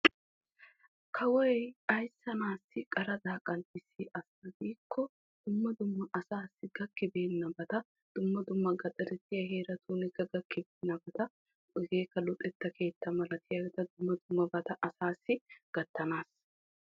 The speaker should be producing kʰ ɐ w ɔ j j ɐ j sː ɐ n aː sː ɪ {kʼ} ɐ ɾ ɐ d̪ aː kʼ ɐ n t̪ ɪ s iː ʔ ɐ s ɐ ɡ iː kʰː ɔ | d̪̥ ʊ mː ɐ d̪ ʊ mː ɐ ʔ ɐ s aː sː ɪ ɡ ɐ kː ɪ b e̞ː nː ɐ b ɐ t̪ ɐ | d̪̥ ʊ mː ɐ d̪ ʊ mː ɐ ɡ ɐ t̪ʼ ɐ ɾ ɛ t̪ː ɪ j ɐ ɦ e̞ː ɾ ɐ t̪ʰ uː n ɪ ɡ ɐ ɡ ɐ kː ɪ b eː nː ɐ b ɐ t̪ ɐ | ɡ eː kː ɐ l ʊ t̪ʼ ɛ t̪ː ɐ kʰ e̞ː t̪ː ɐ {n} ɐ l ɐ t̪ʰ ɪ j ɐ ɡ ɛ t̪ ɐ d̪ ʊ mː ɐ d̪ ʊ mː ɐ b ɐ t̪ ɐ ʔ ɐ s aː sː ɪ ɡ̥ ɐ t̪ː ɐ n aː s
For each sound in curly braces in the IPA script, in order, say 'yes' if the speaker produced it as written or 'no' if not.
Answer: yes, no

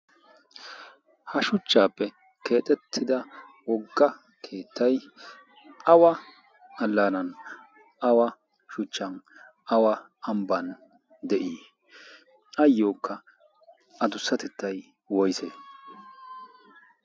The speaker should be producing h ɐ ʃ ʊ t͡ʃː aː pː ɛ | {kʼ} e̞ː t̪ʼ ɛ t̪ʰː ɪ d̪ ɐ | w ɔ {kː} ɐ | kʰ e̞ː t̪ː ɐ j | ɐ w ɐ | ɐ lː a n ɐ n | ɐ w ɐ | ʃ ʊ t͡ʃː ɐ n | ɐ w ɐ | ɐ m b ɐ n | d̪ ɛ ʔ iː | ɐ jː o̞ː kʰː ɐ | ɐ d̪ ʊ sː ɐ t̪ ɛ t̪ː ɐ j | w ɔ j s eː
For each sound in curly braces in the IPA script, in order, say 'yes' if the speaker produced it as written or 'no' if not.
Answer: no, no

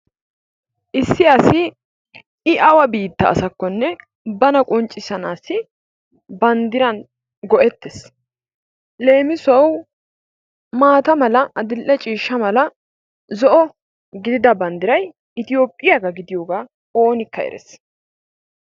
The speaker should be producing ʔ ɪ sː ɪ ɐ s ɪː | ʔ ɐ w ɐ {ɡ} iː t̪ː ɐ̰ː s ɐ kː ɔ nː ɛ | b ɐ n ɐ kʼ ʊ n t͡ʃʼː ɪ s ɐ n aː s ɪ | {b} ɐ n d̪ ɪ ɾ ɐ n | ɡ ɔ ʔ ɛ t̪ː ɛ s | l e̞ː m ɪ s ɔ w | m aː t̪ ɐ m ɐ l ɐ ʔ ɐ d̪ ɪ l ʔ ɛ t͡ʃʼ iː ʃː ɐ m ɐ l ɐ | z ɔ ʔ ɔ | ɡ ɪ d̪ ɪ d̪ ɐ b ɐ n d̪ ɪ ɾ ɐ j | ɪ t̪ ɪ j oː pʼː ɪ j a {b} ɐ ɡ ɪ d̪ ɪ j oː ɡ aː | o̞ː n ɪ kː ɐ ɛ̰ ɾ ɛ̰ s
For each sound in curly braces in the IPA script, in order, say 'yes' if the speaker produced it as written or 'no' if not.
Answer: no, yes, no

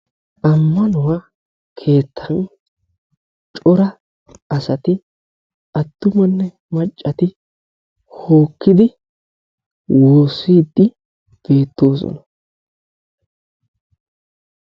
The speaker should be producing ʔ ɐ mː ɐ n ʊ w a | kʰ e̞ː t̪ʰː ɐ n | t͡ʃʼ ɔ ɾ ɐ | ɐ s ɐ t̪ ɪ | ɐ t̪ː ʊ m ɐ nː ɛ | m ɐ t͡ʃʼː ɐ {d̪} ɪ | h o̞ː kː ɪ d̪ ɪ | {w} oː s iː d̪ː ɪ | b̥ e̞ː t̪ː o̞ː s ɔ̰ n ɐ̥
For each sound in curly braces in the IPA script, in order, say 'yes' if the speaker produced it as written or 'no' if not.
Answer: no, yes

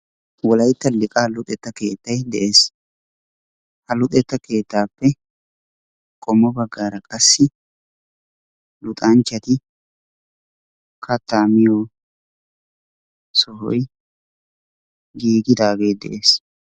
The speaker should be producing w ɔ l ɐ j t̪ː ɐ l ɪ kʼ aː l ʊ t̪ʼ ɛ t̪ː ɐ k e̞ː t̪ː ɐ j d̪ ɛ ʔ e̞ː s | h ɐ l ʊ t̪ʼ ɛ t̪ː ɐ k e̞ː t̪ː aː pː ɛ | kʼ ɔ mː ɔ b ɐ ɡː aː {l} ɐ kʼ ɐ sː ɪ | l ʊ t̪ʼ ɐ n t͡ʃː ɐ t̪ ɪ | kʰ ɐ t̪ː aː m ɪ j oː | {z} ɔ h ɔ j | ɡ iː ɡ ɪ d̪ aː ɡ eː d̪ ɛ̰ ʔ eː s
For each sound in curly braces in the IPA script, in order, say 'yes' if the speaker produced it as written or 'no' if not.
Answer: no, no

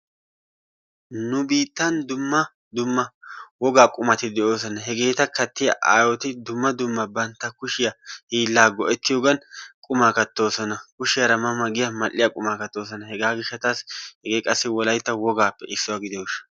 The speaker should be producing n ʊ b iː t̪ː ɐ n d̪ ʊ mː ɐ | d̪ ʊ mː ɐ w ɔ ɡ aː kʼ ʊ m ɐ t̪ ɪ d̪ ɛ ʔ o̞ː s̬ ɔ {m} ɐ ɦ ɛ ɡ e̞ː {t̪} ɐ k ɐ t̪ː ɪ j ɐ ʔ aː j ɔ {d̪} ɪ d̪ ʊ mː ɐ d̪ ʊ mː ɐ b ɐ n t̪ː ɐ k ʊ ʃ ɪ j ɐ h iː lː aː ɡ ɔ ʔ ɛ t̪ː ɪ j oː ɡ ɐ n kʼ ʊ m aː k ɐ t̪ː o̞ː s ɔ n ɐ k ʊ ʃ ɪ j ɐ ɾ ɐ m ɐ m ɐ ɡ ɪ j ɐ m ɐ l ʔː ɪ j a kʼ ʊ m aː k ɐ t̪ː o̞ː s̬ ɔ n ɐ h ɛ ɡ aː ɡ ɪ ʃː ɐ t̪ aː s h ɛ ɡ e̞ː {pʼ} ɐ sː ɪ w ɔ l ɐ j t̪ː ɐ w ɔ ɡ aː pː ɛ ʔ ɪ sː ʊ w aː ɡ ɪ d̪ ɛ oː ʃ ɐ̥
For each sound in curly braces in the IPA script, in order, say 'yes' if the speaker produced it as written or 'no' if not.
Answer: no, yes, no, no

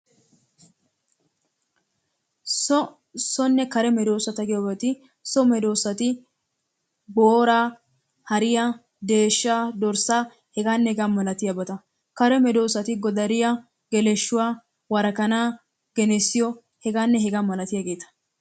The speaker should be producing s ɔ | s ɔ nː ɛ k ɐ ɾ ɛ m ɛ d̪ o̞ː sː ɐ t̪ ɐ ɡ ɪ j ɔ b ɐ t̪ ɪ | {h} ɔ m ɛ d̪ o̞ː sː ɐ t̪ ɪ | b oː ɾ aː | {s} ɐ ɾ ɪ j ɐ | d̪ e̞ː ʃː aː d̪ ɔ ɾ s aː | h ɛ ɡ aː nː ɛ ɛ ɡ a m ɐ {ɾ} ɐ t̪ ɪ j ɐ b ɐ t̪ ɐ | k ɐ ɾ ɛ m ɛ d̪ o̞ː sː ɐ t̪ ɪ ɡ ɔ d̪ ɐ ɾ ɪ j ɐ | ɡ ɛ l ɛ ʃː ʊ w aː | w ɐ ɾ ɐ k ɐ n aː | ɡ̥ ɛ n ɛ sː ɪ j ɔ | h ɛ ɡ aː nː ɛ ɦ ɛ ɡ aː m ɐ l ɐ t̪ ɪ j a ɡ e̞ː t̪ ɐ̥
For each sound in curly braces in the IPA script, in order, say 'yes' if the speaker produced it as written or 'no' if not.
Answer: no, no, no

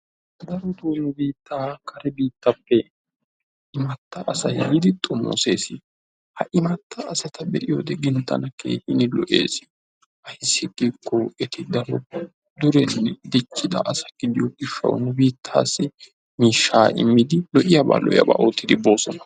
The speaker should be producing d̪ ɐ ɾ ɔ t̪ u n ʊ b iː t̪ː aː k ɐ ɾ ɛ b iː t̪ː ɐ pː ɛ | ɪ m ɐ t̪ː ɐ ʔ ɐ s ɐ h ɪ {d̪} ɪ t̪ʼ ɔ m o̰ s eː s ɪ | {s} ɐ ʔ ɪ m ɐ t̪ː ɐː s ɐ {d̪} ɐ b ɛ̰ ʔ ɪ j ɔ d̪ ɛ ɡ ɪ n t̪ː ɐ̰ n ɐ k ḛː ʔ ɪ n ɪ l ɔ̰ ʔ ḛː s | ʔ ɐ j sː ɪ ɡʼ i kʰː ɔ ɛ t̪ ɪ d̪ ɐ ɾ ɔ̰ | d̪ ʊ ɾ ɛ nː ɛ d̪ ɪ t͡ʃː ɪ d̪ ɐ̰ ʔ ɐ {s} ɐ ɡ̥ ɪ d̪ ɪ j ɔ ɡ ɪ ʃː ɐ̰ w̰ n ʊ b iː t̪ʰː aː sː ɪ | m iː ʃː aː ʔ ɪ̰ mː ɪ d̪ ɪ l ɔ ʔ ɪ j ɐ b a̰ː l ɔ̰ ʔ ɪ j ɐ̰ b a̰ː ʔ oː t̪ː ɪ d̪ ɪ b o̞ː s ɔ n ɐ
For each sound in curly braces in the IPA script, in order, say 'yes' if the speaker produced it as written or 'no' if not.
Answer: yes, no, no, yes

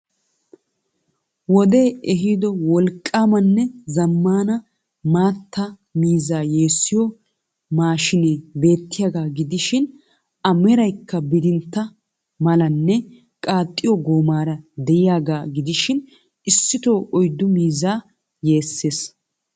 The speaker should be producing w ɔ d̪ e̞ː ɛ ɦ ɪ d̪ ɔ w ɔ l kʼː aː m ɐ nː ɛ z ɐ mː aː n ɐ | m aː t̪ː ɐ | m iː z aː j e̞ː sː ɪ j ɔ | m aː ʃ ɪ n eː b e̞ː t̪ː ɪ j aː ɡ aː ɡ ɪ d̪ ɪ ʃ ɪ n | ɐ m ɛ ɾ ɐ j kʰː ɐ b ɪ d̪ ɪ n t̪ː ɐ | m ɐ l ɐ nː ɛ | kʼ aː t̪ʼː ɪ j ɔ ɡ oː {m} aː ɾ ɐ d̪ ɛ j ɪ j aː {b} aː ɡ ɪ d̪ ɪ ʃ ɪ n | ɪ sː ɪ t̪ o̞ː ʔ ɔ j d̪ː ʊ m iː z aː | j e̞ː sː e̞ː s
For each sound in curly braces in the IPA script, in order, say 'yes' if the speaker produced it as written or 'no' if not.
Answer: yes, no

